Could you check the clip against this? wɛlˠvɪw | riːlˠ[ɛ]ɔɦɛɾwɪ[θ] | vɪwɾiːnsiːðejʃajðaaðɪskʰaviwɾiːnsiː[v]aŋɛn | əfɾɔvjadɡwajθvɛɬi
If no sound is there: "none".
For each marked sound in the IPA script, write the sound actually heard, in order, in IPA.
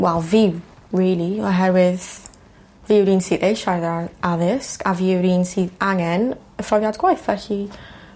i, ð, ð

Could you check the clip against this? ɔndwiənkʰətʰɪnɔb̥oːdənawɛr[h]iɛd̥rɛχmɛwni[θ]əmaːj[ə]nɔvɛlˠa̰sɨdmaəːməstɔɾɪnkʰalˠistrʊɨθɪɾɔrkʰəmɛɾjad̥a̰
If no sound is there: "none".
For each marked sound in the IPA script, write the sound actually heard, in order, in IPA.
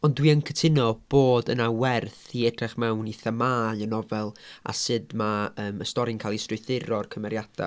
θ, θ, ə

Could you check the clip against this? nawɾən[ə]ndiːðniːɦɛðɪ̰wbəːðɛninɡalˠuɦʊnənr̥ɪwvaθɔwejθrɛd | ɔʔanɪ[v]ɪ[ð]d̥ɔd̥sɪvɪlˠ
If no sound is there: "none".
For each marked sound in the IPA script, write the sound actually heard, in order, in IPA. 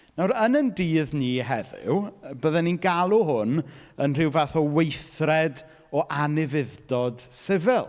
ə, v, ð

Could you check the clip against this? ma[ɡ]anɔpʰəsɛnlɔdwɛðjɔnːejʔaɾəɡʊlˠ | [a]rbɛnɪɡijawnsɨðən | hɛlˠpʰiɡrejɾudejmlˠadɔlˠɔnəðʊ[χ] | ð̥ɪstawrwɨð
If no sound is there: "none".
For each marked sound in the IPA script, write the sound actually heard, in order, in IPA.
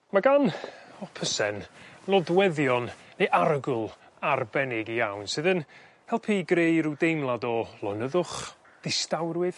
ɡ, a, χ

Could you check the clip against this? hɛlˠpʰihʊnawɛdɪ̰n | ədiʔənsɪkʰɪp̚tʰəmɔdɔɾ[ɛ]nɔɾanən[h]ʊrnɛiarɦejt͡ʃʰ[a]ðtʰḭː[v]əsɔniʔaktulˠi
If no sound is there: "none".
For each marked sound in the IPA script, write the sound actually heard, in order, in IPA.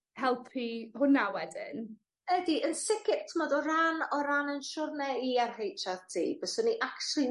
a, ʃ, a, b

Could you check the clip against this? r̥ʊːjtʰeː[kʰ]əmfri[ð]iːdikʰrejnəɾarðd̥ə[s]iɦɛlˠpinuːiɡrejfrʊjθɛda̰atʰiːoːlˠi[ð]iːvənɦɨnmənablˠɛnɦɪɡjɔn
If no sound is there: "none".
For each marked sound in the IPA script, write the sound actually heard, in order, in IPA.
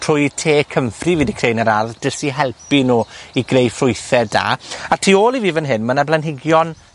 kʰ, v, s, v

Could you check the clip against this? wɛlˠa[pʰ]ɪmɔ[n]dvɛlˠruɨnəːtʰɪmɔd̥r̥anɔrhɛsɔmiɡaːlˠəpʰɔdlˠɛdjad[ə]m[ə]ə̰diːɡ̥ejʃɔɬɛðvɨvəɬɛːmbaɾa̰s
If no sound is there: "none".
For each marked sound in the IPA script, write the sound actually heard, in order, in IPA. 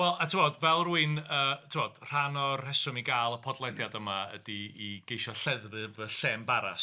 tʰ, none, ə, a

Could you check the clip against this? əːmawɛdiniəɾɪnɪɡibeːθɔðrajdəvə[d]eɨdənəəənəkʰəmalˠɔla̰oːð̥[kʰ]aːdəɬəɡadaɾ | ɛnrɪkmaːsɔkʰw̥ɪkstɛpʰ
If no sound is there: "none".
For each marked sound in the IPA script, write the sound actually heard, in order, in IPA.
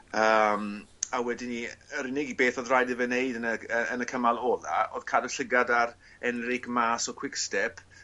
n, kʰ

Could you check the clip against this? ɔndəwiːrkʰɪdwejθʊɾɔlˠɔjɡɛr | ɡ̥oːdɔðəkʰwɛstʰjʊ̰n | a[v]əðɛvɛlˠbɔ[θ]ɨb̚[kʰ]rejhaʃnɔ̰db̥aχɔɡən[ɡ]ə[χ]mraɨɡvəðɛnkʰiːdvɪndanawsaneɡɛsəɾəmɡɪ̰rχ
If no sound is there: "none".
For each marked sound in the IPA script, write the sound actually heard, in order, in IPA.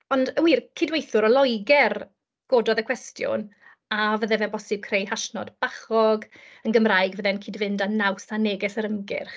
v, s, kʰ, ɡ, none

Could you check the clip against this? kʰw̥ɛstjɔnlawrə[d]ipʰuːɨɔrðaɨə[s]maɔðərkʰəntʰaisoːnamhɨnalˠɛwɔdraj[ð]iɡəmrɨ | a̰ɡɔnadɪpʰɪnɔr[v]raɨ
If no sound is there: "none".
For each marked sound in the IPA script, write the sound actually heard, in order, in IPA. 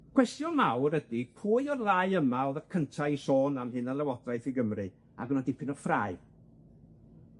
d, none, θ, f

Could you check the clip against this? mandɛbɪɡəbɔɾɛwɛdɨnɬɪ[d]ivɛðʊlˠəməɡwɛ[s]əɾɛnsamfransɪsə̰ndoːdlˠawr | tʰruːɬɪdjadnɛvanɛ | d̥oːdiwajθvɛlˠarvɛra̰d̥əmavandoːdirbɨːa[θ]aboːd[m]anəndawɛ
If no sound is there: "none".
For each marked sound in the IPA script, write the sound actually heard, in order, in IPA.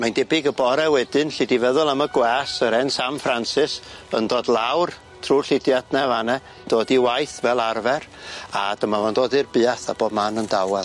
d, s, θ, m

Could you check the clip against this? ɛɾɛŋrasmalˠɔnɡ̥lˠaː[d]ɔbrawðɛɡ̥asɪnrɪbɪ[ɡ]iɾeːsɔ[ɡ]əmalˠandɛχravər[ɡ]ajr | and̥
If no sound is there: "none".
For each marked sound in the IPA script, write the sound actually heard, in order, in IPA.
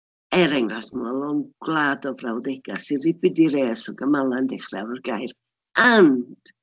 d, d, ɡ, ɡ

